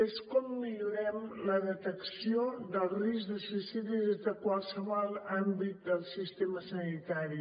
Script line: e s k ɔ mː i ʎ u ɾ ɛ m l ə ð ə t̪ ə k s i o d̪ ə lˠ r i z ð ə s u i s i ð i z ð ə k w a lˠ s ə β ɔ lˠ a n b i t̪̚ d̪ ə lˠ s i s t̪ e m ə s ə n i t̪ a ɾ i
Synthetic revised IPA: e s k ɔ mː i ʎ u ɾ ɛ m l ə ð ə t̪ ə k s i o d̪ ə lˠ r i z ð ə s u i s i ð i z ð ə k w a lˠ s ə β ɔ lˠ a m b i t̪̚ d̪ ə lˠ s i s t̪ e m ə s ə n i t̪ a ɾ i